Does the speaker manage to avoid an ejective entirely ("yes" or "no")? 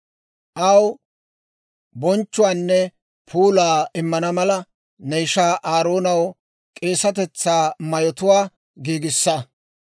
no